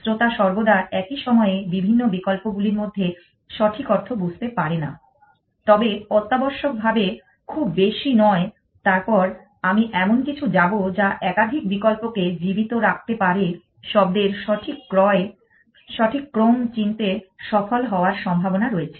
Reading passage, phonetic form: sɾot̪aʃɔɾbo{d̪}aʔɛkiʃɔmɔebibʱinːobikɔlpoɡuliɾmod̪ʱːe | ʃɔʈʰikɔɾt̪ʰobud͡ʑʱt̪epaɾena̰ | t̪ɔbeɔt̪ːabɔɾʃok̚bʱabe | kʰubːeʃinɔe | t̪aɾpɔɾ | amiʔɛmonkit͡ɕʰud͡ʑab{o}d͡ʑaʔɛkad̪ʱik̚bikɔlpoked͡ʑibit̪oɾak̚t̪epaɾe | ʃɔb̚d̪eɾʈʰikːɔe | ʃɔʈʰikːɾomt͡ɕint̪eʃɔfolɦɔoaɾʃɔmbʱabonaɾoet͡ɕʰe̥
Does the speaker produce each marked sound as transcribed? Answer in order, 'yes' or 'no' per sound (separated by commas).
yes, yes